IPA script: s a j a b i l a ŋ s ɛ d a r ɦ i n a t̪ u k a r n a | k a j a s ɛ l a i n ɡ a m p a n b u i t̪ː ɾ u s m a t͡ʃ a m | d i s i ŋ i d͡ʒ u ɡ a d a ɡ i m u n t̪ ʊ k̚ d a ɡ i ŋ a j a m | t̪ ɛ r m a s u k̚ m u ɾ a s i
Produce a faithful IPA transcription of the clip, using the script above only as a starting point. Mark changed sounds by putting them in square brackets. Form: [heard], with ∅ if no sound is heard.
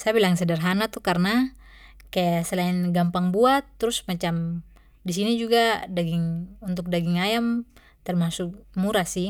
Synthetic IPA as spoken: s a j a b i l a ŋ s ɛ d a r ɦ [a] n a t̪ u k a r n a | k a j a s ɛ l a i n ɡ a m p a [ŋ] b u [a] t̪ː ɾ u s m a t͡ʃ a m | d i s i [n] i d͡ʒ u ɡ a d a ɡ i [ŋ] u n t̪ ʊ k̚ d a ɡ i ŋ a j a m | t̪ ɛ r m a s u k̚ m u ɾ a s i